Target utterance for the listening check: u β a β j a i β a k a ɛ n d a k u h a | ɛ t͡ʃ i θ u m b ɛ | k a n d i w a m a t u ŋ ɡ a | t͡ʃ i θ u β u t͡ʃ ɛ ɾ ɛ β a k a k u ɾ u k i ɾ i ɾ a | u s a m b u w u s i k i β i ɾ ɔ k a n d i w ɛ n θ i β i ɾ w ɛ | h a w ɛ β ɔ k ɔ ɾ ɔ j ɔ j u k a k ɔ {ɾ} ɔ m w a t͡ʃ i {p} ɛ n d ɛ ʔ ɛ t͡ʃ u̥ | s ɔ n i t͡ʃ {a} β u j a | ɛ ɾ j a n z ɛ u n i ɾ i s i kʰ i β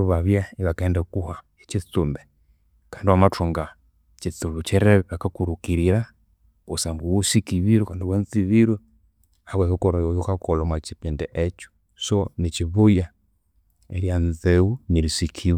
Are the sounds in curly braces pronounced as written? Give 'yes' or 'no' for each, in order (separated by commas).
no, yes, no